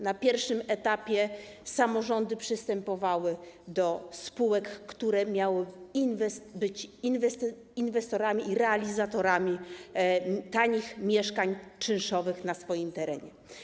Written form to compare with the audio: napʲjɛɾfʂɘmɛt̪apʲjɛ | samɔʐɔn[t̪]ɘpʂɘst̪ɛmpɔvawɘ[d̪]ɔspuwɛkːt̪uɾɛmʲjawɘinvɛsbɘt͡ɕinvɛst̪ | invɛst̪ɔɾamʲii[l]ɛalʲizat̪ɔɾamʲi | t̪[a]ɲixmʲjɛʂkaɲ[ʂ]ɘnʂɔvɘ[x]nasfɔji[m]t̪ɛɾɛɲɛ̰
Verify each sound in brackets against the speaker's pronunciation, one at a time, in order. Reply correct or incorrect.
incorrect, correct, incorrect, correct, incorrect, correct, correct

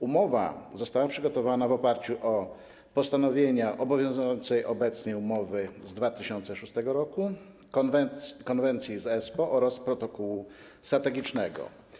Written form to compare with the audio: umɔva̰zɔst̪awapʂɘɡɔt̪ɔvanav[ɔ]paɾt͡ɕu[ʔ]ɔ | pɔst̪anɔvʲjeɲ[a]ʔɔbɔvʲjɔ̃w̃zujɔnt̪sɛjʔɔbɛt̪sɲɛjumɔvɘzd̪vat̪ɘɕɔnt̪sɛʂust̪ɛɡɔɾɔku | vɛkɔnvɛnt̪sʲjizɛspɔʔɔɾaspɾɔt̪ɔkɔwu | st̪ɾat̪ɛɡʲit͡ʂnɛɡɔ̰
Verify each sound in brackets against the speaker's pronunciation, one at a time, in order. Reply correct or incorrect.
correct, correct, correct

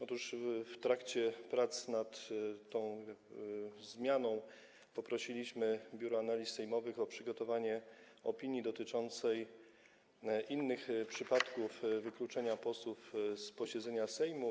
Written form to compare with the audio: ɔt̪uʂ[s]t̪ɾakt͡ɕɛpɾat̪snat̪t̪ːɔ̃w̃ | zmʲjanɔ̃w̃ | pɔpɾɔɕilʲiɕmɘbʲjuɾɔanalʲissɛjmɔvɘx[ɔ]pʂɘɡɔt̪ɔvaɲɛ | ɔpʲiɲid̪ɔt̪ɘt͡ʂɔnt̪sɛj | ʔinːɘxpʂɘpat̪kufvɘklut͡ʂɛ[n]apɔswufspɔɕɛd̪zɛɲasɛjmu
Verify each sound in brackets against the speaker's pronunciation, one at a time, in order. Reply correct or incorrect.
incorrect, correct, incorrect

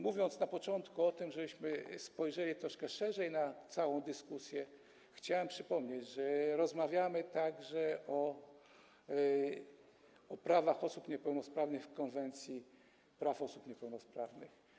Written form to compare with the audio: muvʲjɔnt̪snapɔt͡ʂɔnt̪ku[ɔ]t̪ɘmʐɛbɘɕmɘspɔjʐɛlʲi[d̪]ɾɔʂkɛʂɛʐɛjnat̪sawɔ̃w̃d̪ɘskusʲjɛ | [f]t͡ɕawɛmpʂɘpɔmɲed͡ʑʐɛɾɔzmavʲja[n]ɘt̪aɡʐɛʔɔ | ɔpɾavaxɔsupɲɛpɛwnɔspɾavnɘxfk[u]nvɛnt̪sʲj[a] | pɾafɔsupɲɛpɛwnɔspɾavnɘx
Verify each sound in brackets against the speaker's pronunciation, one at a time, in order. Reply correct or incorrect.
correct, incorrect, incorrect, incorrect, incorrect, incorrect

